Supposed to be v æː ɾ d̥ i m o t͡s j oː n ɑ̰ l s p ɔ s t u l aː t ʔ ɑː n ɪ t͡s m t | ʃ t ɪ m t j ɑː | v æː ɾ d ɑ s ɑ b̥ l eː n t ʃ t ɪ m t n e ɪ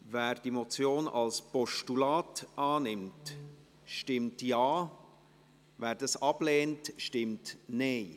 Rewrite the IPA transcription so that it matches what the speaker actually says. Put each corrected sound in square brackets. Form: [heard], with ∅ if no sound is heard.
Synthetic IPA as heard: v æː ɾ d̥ i m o t͡s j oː n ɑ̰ l s p ɔ [ʃ] t u l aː t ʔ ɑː n ɪ [∅] m t | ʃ t ɪ m t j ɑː | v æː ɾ d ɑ s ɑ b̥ l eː n t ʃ t ɪ m t n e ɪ